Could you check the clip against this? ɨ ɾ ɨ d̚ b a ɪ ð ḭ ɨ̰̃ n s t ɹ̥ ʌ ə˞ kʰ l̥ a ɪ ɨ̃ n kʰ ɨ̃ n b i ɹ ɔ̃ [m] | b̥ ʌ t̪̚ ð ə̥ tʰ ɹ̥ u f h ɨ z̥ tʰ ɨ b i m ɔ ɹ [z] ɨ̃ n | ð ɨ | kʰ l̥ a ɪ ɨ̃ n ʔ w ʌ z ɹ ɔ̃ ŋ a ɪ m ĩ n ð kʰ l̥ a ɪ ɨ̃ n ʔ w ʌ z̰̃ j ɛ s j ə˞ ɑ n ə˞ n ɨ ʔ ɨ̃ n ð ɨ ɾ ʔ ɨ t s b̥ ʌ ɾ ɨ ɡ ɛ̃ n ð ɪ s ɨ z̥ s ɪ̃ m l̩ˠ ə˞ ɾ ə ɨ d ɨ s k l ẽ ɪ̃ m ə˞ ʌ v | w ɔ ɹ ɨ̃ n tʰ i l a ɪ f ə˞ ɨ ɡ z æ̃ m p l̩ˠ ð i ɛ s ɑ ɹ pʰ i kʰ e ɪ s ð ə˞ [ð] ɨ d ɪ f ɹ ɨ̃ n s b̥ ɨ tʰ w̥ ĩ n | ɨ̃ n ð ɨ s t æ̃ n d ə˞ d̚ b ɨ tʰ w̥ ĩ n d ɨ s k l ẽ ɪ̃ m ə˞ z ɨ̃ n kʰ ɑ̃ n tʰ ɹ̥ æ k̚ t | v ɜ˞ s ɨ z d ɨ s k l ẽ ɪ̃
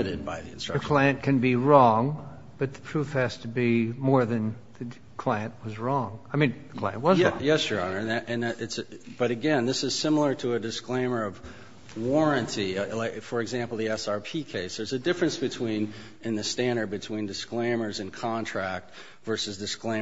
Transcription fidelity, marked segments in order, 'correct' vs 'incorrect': incorrect: ŋ, incorrect: ð, incorrect: z

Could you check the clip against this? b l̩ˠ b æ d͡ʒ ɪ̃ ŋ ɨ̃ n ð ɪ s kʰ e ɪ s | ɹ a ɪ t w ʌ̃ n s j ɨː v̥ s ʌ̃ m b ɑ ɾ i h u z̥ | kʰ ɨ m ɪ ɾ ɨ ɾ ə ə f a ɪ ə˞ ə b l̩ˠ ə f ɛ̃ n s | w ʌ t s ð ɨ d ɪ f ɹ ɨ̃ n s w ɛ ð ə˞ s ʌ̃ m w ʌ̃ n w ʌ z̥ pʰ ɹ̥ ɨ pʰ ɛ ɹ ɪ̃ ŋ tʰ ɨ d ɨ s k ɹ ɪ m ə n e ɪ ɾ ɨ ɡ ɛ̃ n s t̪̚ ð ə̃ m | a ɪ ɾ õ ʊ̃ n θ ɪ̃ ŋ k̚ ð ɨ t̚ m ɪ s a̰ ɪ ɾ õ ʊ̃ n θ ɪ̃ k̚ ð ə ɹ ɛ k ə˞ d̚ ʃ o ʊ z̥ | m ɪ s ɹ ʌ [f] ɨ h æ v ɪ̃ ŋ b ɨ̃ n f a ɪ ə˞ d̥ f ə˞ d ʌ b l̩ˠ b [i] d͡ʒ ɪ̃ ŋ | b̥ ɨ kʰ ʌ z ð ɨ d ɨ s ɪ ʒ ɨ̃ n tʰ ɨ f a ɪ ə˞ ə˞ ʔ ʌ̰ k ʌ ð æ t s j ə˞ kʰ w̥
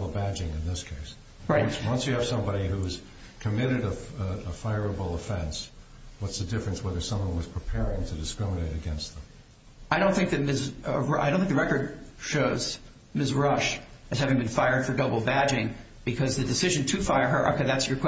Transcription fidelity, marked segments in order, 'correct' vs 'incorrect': incorrect: ʃ, incorrect: æ

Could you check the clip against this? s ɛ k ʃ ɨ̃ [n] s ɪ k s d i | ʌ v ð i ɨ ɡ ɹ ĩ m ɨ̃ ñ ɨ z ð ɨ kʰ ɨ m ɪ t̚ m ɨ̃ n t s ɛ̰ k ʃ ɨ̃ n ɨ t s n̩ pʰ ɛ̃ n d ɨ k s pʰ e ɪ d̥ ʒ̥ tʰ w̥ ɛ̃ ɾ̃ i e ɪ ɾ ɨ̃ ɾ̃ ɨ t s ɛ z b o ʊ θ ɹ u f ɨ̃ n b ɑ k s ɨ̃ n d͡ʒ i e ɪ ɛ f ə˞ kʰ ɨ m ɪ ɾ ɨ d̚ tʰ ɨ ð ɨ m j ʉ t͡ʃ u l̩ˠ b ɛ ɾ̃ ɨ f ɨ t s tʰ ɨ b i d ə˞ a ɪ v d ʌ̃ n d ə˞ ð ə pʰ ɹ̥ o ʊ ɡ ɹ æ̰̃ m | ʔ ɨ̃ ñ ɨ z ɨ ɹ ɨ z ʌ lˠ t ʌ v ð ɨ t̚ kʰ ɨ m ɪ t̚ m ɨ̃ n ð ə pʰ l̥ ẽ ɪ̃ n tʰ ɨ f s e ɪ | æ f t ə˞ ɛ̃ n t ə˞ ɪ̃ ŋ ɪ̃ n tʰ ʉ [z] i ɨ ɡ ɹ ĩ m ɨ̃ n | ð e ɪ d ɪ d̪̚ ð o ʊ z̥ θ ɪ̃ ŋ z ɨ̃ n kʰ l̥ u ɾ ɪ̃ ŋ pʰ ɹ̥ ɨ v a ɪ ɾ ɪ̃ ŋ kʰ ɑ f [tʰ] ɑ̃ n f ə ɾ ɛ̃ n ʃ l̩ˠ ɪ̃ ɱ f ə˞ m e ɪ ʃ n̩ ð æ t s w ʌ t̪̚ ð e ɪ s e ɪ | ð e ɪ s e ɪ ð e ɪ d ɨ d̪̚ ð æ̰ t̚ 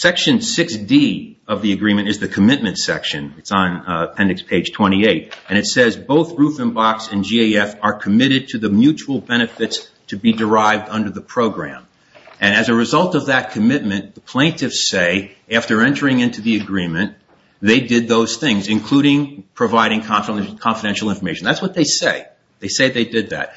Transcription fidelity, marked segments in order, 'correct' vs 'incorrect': correct, incorrect: ð, incorrect: kʰ

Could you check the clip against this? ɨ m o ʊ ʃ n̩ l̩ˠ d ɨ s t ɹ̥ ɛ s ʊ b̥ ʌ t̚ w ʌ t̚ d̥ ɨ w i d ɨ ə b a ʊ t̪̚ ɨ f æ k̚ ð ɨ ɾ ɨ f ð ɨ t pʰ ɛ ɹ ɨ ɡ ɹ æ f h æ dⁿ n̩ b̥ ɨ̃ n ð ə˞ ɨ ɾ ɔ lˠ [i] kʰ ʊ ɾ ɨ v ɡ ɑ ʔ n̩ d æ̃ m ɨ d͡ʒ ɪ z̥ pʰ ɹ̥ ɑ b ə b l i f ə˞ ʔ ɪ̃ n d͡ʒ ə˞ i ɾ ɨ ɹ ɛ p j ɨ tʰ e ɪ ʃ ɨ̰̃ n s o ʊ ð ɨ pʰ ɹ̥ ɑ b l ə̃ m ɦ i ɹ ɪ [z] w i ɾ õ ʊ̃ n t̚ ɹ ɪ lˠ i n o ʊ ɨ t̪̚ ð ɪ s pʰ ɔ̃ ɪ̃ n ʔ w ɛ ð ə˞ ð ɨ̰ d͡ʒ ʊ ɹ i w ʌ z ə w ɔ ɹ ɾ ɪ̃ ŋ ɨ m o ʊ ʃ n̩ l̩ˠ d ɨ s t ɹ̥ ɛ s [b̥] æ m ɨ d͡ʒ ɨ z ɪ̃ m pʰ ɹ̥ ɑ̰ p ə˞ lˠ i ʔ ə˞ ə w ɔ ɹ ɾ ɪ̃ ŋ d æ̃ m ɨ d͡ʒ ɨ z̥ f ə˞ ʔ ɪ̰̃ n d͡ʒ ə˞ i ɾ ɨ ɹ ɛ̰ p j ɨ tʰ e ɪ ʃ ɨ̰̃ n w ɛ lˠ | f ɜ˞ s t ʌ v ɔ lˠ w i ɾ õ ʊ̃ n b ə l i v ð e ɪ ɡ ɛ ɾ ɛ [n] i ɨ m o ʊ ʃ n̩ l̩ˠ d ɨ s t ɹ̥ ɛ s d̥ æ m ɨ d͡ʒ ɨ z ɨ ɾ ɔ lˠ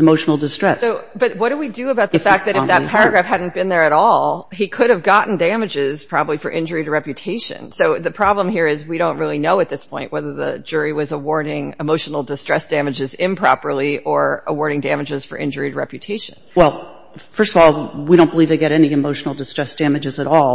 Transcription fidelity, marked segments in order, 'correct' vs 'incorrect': correct, correct, incorrect: d̥, correct

